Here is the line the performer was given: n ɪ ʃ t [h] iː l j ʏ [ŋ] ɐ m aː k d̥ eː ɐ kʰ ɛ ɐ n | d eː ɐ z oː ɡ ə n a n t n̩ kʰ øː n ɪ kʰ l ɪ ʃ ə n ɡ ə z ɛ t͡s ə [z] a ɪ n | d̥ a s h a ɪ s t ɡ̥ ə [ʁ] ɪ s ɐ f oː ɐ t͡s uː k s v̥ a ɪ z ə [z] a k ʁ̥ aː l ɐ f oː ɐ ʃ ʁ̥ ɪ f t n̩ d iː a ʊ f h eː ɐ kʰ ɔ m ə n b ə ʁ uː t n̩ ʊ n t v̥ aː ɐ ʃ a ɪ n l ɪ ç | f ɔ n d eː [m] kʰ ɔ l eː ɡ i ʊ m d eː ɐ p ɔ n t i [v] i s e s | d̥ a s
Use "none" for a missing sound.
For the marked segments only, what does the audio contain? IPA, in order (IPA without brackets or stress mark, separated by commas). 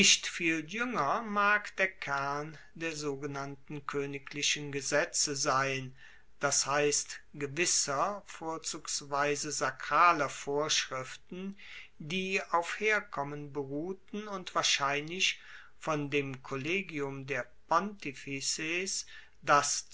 f, ŋ, z, v, z, m, f